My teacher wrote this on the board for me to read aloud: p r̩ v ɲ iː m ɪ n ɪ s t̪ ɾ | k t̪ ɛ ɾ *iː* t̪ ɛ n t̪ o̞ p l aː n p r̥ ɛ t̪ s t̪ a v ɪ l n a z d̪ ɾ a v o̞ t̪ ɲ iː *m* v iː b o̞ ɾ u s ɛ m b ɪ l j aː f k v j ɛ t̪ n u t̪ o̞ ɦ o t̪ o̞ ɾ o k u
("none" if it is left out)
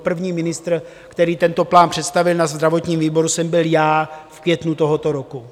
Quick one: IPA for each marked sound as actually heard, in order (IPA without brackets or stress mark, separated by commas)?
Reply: iː, m